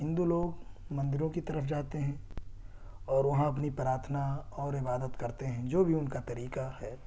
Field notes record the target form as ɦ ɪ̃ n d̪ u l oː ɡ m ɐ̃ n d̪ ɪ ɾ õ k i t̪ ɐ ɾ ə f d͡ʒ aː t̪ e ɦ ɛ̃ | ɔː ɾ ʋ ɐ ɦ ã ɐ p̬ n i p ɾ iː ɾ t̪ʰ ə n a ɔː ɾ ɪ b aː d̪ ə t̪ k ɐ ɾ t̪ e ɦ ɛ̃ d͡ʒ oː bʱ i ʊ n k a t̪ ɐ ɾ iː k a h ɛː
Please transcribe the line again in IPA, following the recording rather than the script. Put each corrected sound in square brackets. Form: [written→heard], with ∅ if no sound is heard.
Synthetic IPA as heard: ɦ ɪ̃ n d̪ u l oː ɡ m ɐ̃ n d̪ ɪ ɾ õ k i t̪ ɐ ɾ ə f d͡ʒ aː t̪ e ɦ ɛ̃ | ɔː ɾ ʋ ɐ ɦ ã ɐ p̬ n i p ɾ [iː→aː] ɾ t̪ʰ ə n a ɔː ɾ ɪ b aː d̪ ə t̪ k ɐ ɾ t̪ e ɦ ɛ̃ d͡ʒ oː bʱ i ʊ n k a t̪ ɐ ɾ iː k a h ɛː